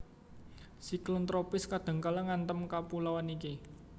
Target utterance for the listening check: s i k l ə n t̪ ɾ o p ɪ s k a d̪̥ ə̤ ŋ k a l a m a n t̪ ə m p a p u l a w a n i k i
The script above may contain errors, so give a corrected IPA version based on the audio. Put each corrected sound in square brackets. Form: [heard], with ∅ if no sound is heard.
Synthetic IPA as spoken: s i k l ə n t̪ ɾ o p ɪ s k a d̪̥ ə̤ ŋ k a l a [ŋ] a n t̪ ə m [k] a p u l a w a n i k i